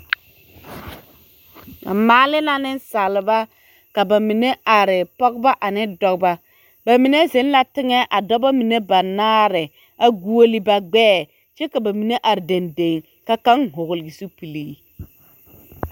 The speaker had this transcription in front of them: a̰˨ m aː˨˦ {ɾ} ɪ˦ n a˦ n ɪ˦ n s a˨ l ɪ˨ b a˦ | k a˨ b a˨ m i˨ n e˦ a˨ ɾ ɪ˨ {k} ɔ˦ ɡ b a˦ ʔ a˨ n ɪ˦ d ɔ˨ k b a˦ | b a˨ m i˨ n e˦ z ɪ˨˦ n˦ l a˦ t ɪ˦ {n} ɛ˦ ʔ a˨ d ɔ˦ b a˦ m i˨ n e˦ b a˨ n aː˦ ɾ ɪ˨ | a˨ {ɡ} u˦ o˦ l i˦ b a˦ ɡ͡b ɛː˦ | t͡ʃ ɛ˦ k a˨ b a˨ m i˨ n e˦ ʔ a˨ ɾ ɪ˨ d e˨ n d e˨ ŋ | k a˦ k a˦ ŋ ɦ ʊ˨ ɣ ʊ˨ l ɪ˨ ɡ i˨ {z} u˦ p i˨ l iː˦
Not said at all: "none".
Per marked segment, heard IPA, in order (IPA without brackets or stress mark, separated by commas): l, p, ŋ, ɡ, s